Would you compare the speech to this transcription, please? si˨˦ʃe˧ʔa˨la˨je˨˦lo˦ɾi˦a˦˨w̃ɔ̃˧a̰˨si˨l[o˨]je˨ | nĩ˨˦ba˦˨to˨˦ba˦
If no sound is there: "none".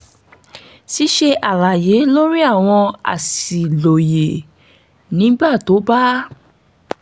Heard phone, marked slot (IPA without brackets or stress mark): o˨